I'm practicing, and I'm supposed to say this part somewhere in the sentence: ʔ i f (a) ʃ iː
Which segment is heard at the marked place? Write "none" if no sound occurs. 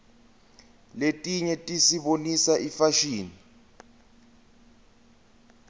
a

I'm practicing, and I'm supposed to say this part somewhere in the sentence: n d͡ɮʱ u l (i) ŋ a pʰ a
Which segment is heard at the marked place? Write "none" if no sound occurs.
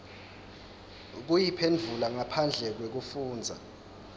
a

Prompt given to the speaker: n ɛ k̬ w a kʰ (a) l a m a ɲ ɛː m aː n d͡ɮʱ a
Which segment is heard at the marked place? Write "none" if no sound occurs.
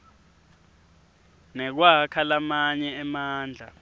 a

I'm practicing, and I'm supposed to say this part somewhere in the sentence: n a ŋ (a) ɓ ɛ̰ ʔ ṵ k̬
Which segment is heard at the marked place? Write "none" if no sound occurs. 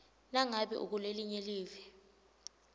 a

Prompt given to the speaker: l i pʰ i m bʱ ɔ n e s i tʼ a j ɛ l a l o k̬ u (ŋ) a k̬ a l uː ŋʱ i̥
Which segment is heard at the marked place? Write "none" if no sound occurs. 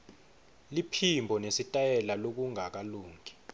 ŋ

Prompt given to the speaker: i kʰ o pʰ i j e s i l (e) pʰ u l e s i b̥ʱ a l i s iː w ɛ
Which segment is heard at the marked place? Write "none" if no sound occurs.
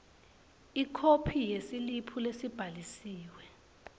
i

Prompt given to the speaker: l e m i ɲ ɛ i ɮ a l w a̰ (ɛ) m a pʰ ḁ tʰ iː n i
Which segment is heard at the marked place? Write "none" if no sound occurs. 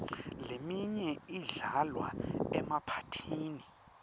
ɛ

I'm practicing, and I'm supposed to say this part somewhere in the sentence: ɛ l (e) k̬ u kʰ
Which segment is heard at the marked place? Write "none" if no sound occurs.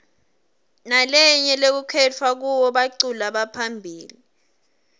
e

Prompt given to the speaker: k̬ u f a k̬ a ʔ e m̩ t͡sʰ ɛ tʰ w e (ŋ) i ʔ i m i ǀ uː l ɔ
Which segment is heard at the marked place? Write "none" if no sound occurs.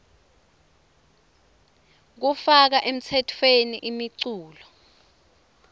n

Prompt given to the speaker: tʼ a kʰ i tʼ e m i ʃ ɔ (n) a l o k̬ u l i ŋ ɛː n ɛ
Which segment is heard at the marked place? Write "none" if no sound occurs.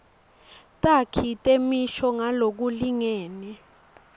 ŋ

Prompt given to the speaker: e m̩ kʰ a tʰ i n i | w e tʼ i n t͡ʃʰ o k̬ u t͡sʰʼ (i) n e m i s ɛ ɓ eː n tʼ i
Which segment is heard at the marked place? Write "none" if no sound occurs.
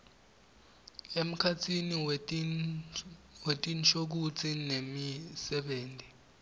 i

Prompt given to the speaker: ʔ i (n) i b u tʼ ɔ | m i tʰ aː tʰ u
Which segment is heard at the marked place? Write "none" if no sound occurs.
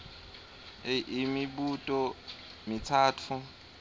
m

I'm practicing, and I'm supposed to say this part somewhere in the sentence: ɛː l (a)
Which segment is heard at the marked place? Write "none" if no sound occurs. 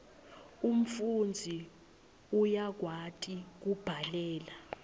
a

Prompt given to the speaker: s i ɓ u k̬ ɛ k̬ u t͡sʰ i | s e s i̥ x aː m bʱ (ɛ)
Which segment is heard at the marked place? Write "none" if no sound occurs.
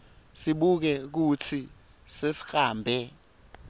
ɛ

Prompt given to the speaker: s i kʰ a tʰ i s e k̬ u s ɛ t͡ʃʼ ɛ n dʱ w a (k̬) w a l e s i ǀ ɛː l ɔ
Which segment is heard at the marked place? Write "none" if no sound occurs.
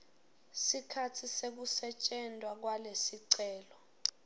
k̬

